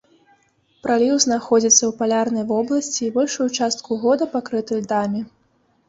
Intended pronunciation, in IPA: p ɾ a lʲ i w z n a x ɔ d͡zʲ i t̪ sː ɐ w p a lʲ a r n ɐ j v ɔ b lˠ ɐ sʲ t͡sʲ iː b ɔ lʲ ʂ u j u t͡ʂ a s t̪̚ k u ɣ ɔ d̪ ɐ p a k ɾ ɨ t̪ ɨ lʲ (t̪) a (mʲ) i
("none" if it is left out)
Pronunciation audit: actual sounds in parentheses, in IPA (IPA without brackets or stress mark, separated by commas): d̪, mʲ